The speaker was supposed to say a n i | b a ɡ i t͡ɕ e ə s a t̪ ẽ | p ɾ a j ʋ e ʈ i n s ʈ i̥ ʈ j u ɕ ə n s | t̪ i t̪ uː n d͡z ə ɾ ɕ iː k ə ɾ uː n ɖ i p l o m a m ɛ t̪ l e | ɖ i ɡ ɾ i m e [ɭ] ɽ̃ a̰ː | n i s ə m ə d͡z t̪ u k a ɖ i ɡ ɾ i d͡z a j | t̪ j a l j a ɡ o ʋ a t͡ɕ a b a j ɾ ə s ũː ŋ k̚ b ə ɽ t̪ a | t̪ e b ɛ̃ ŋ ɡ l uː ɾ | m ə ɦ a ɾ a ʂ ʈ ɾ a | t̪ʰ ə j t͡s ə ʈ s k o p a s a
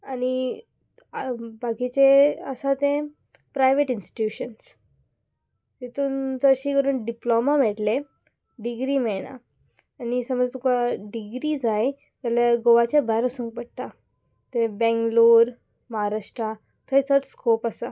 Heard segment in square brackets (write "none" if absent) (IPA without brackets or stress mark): ɭ